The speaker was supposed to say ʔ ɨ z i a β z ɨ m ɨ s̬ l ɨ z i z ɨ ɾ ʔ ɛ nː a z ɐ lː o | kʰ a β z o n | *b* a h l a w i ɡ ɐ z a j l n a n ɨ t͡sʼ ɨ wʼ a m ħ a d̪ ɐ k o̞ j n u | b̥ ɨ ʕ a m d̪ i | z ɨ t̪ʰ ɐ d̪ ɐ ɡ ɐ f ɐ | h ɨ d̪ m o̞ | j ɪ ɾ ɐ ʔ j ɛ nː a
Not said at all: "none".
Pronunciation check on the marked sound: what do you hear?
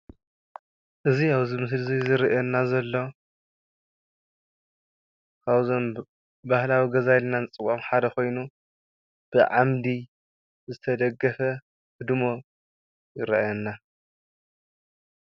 b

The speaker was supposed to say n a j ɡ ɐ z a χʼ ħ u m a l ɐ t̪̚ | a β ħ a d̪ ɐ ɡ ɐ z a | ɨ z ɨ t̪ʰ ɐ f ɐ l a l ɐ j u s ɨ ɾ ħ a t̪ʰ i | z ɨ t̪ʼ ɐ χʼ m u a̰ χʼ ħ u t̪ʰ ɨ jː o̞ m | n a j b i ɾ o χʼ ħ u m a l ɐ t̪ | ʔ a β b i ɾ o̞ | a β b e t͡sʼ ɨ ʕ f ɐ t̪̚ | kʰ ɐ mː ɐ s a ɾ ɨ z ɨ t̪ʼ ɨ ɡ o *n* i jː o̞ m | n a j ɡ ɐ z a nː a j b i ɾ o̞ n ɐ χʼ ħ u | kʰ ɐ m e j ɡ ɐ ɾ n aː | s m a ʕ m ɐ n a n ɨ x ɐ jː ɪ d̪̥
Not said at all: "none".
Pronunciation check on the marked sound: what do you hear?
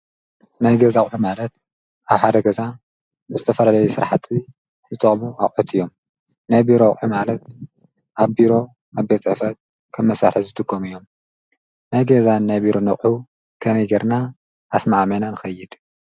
m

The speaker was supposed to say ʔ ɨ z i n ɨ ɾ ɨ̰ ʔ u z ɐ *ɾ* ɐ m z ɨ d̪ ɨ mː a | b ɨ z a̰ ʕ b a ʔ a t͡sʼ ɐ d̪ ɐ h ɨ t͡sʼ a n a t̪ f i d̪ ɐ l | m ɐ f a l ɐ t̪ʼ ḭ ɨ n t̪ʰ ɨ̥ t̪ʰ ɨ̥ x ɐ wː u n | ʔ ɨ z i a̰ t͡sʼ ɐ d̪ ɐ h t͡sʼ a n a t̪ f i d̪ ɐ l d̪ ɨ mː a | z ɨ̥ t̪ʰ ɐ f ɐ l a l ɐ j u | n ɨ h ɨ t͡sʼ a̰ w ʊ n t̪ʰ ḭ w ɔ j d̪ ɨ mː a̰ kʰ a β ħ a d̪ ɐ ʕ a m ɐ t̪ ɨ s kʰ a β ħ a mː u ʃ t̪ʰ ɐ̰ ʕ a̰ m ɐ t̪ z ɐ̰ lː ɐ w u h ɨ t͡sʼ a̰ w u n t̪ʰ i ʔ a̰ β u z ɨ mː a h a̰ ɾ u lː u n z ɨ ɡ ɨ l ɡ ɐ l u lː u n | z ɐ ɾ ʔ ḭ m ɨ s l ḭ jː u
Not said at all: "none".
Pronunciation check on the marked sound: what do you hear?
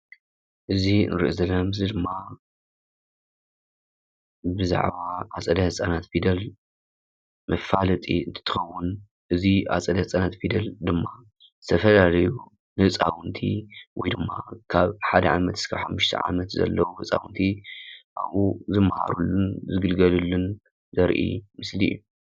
l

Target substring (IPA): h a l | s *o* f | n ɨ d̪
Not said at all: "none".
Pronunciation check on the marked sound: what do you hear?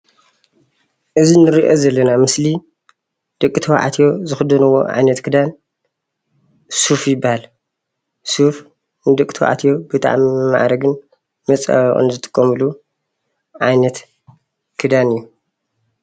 u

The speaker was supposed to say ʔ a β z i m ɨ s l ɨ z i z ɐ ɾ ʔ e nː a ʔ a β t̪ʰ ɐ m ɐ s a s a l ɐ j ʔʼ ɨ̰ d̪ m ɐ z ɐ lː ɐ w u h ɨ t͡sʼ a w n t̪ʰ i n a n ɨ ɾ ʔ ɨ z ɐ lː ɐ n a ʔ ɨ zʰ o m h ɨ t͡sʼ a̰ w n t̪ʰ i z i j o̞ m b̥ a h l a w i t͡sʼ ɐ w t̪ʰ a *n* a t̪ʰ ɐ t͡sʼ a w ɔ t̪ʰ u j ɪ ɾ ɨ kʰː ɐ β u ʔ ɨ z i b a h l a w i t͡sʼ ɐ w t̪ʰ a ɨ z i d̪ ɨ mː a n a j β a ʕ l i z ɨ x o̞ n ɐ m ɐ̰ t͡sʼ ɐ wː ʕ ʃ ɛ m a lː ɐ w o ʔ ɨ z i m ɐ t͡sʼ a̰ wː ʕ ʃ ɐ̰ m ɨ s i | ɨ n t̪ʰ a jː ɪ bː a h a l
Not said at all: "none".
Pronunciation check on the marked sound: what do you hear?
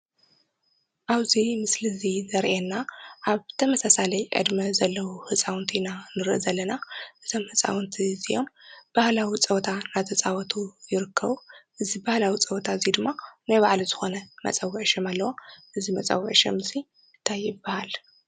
n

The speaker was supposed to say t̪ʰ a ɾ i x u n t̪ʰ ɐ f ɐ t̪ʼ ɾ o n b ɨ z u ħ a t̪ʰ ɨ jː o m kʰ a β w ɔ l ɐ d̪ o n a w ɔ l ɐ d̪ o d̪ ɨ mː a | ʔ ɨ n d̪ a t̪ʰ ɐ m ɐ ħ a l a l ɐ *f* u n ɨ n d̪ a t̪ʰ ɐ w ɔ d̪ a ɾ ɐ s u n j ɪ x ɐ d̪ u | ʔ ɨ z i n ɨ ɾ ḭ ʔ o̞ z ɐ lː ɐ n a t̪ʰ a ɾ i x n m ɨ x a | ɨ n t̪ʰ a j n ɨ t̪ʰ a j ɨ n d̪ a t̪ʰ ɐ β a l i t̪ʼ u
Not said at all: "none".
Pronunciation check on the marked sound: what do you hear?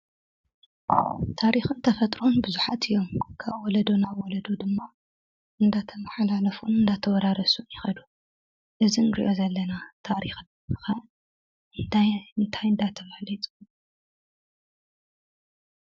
f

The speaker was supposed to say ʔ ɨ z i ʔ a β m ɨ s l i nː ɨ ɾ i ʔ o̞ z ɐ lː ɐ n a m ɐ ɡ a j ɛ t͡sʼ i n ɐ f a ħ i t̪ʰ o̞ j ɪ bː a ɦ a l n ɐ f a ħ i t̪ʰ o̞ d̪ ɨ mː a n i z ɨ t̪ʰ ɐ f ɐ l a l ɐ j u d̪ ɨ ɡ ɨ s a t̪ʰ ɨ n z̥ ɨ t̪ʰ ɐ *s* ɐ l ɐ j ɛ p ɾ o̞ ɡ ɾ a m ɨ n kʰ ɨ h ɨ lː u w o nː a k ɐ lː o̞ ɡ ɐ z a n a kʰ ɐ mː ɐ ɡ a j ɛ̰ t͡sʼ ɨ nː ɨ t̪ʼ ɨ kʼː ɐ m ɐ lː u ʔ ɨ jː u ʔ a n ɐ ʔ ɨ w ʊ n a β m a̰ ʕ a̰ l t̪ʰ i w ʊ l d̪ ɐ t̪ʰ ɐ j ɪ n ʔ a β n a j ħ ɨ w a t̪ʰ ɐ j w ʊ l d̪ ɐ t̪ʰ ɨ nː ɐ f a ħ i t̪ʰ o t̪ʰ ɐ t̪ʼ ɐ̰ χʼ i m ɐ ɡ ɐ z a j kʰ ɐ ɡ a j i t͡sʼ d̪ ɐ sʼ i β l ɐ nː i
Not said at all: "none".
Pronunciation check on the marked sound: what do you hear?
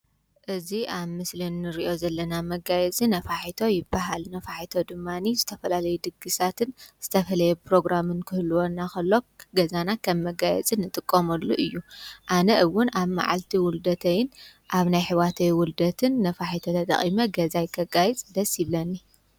f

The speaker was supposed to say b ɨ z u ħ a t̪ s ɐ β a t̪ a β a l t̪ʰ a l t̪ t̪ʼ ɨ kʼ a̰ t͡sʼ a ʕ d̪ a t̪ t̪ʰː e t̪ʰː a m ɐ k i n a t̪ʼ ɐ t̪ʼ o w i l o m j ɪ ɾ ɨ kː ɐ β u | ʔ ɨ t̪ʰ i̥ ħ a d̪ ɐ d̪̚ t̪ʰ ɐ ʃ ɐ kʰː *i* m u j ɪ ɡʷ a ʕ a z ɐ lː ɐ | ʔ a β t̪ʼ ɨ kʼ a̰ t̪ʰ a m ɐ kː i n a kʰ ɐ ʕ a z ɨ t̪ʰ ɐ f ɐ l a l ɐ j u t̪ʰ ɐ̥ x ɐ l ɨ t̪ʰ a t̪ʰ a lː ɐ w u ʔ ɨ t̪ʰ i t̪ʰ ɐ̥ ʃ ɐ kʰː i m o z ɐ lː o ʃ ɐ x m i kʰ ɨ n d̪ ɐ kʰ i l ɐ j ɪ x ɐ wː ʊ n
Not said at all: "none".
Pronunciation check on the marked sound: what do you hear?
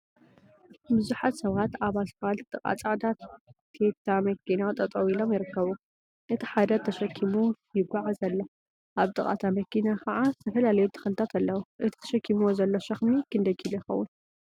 i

